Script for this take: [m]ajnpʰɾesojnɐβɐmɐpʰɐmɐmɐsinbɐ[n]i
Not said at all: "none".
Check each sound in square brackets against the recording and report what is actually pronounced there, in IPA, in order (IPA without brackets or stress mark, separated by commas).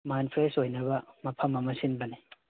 m, n